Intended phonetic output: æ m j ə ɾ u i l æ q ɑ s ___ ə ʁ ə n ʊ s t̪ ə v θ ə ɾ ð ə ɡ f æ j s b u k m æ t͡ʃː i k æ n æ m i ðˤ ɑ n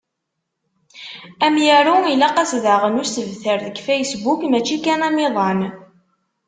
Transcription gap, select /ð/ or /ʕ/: ð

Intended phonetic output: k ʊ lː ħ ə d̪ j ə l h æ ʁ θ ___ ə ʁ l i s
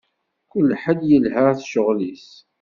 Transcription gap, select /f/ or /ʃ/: ʃ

